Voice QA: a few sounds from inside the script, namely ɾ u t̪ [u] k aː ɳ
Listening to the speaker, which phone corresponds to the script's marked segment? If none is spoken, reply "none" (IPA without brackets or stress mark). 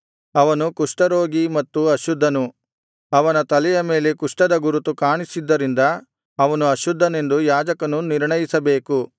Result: u